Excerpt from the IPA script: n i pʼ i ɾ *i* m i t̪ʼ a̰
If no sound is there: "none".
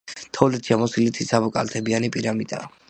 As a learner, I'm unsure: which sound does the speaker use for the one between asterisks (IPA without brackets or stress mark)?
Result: a